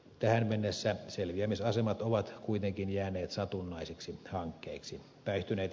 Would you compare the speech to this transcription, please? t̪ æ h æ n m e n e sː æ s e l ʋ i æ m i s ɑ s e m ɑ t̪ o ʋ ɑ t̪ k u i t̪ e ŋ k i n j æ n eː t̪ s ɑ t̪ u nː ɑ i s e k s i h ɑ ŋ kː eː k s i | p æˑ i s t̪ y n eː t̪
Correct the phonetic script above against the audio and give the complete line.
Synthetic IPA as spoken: t̪ æ h æ n m e nː e sː æ s e l ʋ i æ m i s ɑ s e m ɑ t̪ o ʋ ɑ t̪ k u i t̪ e ŋ k i n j æː n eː t̪ s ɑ t̪ u nː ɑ i s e k s i h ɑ ŋ kː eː k s i | p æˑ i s t̪ y n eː t̪